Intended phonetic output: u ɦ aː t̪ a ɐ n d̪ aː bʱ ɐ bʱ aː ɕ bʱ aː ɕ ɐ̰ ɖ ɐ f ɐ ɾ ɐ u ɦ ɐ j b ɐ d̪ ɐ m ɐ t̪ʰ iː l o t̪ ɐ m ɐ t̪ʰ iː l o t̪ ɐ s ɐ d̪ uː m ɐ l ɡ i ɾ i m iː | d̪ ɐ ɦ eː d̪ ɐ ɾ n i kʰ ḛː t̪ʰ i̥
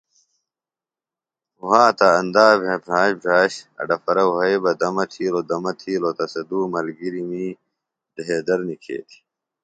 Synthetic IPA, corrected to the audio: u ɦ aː t̪ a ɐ n d̪ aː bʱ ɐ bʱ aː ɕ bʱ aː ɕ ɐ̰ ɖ ɐ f ɐ ɾ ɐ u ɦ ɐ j b ɐ d̪ ɐ m ɐ t̪ʰ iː l o d̪ ɐ m ɐ t̪ʰ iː l o t̪ ɐ s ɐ d̪ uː m ɐ l ɡ i ɾ i m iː | d̪ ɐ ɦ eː d̪ ɐ ɾ n i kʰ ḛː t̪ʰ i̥

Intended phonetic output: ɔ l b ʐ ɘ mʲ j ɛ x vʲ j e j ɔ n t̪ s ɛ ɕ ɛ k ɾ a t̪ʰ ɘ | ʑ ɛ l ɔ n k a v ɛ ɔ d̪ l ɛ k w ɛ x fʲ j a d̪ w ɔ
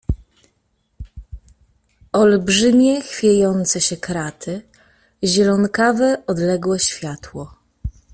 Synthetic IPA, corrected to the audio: ɔ l b ʐ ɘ mʲ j ɛ x fʲ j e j ɔ n t̪ s ɛ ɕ ɛ k ɾ a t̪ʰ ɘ | ʑ ɛ l ɔ n k a v ɛ ɔ d̪ l ɛ ɡ w ɛ ɕ fʲ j a t̪ w ɔ

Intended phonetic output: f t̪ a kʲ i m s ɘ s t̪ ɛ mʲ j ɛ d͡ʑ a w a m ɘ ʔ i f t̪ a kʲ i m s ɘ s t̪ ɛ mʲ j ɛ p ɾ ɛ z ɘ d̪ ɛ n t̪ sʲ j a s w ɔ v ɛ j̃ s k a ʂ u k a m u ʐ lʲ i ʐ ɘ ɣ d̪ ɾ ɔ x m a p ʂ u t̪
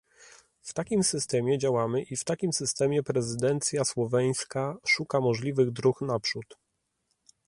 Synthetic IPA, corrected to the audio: f t̪ a kʲ i m s ɘ s t̪ ɛ mʲ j ɛ d͡ʑ a w a m ɘ ʔ i f t̪ a kʲ i m s ɘ s t̪ ɛ mʲ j ɛ p ɾ ɛ z ɘ d̪ ɛ n t̪ sʲ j a s w ɔ v ɛ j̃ s k a ʂ u k a m ɔ ʐ lʲ i v ɘ ɣ d̪ ɾ u x n a p ʂ u t̪

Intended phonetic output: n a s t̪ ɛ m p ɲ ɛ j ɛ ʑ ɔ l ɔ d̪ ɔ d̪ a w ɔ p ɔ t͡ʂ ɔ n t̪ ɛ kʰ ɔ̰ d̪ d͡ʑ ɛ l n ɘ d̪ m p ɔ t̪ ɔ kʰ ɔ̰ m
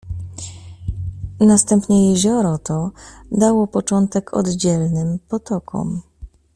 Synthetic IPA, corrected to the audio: n a s t̪ ɛ m p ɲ ɛ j ɛ ʑ ɔ ɾ ɔ t̪ ɔ d̪ a w ɔ p ɔ t͡ʂ ɔ n t̪ ɛ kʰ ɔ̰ d̪ d͡ʑ ɛ l n ɘ m p ɔ t̪ ɔ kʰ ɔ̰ m

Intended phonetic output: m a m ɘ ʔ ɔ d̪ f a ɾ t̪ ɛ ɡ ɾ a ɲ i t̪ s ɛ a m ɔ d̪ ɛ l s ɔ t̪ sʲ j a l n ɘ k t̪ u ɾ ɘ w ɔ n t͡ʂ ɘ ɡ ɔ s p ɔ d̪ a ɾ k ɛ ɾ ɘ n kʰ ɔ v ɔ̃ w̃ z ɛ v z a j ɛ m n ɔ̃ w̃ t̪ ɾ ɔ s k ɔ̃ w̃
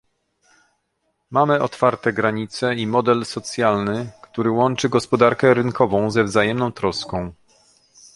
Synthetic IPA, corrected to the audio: m a m ɘ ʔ ɔ t̪ f a ɾ t̪ ɛ ɡ ɾ a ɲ i t̪ s ɛ i m ɔ d̪ ɛ l s ɔ t̪ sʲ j a l n ɘ k t̪ u ɾ ɘ w ɔ n t͡ʂ ɘ ɡ ɔ s p ɔ d̪ a ɾ k ɛ ɾ ɘ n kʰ ɔ v ɔ̃ w̃ z ɛ v z a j ɛ m n ɔ̃ w̃ t̪ ɾ ɔ s k ɔ̃ w̃

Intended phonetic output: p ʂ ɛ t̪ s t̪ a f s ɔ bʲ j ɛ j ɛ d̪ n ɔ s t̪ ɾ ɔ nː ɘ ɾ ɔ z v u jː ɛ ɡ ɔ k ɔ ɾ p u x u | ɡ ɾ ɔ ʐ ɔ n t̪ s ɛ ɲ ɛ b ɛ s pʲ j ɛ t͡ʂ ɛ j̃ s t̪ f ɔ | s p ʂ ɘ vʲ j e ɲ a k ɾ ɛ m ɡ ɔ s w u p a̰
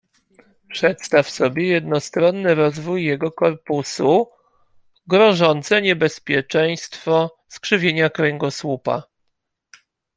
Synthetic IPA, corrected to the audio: p ʂ ɛ t̪ s t̪ a f s ɔ bʲ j ɛ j ɛ d̪ n ɔ s t̪ ɾ ɔ nː ɘ ɾ ɔ z v u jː ɛ ɡ ɔ k ɔ ɾ p u s u | ɡ ɾ ɔ ʐ ɔ n t̪ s ɛ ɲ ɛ b ɛ s pʲ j ɛ t͡ʂ ɛ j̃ s t̪ f ɔ | s k ʂ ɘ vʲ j e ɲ a k ɾ ɛ ŋ ɡ ɔ s w u p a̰

